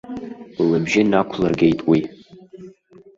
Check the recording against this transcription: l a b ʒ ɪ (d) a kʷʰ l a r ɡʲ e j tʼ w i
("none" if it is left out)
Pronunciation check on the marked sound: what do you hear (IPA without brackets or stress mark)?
n